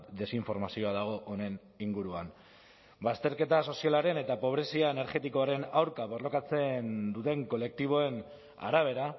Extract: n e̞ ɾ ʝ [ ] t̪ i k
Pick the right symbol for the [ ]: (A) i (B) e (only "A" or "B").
B